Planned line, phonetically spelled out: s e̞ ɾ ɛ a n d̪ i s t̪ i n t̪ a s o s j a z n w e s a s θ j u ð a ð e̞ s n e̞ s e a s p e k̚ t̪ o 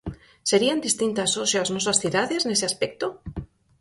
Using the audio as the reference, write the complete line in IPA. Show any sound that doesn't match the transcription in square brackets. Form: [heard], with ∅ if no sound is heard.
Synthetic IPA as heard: s e̞ ɾ [i] a n d̪ i s t̪ i n t̪ a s o s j a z n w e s a s θ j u ð a ð e̞ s n e̞ s e a s p e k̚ t̪ o

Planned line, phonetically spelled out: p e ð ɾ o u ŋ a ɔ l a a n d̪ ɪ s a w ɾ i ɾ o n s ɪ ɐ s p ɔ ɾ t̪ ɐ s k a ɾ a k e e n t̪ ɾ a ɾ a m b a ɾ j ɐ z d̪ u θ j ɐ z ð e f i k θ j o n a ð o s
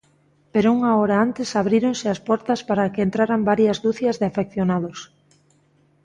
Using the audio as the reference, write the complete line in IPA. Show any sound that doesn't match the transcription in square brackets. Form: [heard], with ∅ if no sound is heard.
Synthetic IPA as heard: p e [∅] ɾ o u ŋ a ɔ [ɾ] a a n [t̪] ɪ s a [β] ɾ i ɾ o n s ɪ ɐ s p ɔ ɾ t̪ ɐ s [p] a ɾ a k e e n t̪ ɾ a ɾ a m b a ɾ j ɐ z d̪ u θ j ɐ z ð e f [e] k θ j o n a ð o s

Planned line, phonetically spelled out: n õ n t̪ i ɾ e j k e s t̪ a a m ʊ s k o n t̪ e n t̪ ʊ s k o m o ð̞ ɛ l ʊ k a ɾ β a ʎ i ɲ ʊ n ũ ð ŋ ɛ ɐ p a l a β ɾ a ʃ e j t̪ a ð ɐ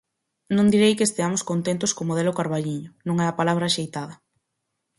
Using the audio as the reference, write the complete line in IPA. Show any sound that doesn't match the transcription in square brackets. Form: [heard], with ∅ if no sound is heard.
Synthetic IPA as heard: n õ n [d̪] i ɾ e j k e s t̪ [e] a m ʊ s k o n t̪ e n t̪ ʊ s k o m o ð̞ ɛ l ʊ k a ɾ β a ʎ i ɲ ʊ n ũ [∅] ŋ ɛ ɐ p a l a β ɾ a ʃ e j t̪ a ð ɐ

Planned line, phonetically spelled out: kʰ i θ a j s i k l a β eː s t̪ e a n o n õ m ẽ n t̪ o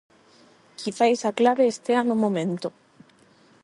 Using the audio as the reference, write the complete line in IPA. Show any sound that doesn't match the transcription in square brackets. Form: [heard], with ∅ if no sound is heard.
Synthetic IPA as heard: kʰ i θ a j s [a] k l a β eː s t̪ e a n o [m] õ m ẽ n t̪ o

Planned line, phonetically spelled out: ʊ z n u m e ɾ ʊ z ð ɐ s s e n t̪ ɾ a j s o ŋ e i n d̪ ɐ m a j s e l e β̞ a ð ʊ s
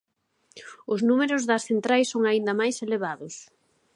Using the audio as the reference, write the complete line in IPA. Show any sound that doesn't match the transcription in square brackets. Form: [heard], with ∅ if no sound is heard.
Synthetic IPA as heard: ʊ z n u m e ɾ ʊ z ð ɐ s [θ] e n t̪ ɾ a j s o ŋ [a] i n d̪ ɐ m a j s e l e β̞ a ð ʊ s

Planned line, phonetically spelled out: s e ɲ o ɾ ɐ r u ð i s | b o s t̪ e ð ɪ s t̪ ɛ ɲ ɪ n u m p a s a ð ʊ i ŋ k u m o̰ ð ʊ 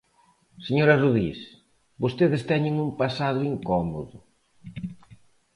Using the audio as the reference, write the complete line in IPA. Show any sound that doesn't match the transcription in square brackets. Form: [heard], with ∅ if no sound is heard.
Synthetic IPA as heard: s e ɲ o ɾ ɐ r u ð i s | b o s t̪ e ð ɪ s t̪ ɛ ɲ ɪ [ŋ] u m p a s a ð ʊ i ŋ k [ɔ] m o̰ ð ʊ

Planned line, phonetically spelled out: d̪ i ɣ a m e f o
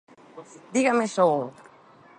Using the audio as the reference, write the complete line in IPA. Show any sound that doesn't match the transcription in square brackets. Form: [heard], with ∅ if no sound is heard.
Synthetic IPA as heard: d̪ i ɣ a m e [s] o

